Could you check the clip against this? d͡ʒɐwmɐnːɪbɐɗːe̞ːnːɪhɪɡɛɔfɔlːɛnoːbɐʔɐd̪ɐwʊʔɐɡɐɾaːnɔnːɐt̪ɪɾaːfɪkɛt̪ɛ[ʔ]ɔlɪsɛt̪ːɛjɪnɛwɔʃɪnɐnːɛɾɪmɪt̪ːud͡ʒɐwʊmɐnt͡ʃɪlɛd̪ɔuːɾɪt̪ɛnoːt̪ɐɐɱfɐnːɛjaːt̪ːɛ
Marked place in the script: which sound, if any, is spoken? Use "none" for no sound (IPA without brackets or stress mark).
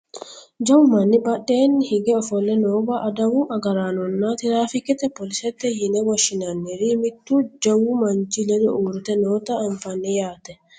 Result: p